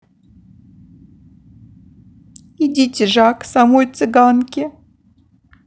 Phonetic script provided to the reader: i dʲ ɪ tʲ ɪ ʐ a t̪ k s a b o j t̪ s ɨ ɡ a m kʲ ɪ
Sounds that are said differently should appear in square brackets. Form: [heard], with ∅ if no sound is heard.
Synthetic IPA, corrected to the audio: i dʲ [i] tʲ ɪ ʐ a [∅] k s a [m] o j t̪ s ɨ ɡ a [n] kʲ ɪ